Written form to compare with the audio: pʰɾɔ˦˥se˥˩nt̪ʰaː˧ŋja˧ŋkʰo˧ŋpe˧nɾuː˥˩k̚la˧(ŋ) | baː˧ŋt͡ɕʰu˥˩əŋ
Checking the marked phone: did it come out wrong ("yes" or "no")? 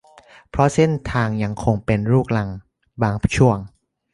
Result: no